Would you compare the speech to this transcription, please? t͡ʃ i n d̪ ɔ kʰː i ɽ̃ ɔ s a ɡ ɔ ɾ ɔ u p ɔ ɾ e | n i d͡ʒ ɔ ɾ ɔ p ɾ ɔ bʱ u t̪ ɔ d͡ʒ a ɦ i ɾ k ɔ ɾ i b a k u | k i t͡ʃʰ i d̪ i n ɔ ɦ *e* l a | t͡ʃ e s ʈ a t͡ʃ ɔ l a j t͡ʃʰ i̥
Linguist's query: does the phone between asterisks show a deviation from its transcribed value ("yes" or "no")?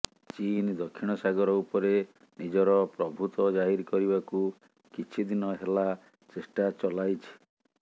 no